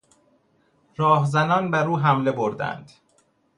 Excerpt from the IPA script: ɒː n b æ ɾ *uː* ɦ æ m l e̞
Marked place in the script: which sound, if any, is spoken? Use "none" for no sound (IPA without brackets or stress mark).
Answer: uː